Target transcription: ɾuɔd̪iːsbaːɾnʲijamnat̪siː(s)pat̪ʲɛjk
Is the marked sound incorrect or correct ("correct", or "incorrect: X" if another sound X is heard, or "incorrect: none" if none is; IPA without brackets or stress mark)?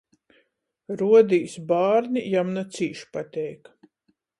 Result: incorrect: ʃ